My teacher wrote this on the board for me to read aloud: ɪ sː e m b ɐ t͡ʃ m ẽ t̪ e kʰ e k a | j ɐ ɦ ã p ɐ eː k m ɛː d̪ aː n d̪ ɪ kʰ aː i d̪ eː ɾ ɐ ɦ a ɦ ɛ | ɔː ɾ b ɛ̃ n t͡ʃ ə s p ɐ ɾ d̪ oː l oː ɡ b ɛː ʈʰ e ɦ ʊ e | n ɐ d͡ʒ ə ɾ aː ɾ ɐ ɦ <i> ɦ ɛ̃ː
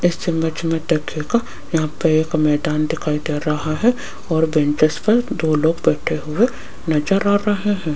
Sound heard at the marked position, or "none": e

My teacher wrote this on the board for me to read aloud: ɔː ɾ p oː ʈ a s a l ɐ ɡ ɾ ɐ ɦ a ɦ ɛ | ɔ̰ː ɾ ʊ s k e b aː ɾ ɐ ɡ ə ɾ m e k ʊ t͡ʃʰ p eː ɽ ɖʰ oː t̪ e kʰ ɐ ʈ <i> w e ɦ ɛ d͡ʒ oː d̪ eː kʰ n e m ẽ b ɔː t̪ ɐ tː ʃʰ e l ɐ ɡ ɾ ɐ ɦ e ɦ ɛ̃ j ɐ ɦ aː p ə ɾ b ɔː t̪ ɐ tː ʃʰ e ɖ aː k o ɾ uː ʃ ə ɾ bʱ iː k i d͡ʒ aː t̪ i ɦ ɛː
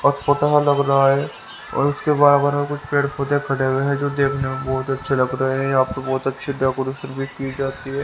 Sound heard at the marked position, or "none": e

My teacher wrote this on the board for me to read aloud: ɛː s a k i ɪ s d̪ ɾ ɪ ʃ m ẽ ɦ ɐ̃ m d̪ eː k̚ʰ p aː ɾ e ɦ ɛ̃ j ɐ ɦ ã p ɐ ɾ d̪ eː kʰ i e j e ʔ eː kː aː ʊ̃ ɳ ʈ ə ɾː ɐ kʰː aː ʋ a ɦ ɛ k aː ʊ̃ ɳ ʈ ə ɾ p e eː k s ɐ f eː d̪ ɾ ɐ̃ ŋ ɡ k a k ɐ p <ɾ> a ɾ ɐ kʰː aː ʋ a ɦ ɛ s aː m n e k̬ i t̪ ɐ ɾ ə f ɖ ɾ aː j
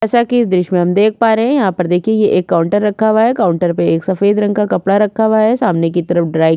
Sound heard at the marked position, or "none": ɽ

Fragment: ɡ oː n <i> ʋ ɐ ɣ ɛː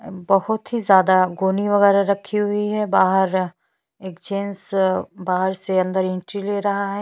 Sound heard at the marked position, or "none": i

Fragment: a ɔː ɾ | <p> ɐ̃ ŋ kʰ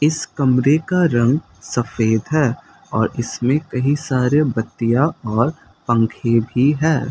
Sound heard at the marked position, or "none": p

